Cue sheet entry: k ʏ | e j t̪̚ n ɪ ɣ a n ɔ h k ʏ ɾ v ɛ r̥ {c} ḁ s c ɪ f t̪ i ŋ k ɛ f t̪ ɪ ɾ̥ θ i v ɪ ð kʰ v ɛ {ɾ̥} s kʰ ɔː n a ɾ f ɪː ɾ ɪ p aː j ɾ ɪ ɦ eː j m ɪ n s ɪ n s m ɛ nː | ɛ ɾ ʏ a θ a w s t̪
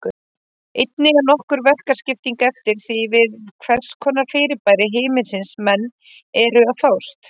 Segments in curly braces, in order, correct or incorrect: incorrect, incorrect

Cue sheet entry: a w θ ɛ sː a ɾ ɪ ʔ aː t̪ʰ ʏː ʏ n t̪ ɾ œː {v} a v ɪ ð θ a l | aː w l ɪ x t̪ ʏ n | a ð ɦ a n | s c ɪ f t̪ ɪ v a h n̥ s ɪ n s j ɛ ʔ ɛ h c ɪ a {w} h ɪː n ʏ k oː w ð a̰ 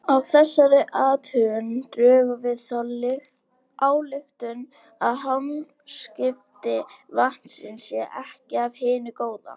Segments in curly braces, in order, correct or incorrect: correct, incorrect

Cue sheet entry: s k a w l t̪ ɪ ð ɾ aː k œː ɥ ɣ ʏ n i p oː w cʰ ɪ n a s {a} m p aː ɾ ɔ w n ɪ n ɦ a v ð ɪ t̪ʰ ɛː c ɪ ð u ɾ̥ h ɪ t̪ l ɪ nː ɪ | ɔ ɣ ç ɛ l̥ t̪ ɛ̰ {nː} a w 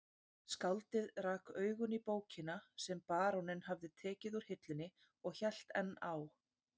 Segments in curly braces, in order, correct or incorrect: incorrect, correct

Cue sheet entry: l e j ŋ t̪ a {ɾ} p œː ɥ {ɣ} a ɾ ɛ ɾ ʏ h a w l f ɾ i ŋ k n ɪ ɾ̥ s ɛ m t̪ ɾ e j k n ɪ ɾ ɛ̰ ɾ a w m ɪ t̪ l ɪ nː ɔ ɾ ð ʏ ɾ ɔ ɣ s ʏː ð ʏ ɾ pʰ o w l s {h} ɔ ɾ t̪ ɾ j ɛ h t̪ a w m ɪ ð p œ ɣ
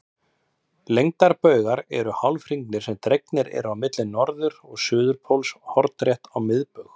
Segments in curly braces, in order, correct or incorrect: correct, correct, correct

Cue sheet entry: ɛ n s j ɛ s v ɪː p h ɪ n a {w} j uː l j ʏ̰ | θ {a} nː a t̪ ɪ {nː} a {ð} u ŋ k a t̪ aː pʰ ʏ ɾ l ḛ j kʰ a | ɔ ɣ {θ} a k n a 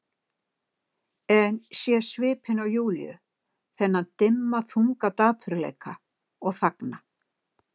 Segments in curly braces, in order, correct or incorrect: correct, incorrect, incorrect, incorrect, correct

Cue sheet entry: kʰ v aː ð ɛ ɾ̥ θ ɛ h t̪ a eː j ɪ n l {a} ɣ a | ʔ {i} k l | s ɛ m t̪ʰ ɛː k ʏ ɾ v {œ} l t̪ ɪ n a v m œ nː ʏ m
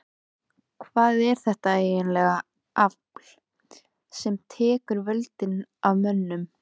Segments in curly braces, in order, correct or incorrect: incorrect, incorrect, correct

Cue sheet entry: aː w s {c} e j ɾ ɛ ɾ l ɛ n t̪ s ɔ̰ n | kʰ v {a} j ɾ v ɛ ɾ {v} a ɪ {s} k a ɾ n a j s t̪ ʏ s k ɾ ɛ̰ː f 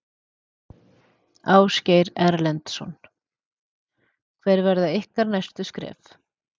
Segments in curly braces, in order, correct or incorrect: correct, incorrect, incorrect, incorrect

